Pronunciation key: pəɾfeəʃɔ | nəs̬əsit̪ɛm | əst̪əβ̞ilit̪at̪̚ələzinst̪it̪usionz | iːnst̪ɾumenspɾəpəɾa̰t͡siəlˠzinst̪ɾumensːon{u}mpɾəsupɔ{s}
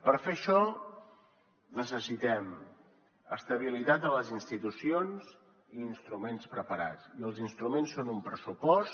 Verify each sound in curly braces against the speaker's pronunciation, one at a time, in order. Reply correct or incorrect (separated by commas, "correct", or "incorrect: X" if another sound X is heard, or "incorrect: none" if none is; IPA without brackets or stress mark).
correct, correct